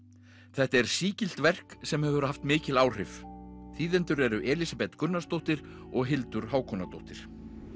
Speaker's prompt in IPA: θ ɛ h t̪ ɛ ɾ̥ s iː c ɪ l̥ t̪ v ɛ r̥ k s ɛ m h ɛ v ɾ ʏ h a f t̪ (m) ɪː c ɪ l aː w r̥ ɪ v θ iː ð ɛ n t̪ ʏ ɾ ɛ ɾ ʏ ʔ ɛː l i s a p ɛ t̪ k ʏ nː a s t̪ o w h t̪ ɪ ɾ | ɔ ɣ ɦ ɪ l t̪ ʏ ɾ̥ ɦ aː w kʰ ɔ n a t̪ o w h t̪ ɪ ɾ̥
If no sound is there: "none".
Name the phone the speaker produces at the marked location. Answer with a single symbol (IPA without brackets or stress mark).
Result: m